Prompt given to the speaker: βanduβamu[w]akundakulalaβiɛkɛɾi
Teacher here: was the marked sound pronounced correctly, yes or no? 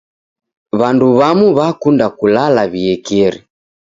no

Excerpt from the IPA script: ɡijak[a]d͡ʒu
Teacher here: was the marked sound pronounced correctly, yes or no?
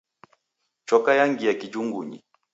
no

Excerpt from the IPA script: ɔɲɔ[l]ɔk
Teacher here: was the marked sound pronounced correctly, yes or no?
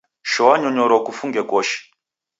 no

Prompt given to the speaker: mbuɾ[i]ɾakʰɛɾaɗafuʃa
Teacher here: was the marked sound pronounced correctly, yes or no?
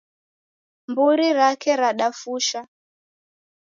yes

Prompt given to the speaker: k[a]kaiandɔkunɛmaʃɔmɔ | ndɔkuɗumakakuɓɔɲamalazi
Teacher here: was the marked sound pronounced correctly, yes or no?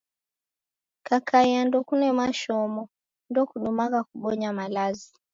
yes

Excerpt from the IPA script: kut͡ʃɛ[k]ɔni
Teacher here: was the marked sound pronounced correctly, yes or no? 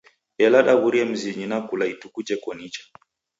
yes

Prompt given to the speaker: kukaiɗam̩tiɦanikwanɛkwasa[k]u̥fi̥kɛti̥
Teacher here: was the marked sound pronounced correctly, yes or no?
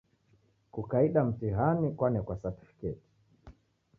no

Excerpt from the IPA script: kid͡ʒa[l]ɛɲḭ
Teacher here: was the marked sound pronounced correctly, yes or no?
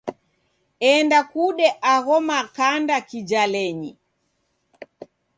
yes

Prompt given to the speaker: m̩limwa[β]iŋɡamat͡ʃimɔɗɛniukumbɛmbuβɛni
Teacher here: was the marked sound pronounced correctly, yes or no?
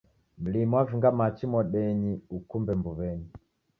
no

